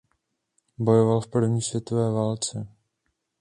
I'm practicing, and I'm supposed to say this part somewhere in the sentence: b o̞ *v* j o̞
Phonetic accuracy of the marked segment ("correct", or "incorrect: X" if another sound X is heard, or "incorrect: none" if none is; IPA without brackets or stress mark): incorrect: none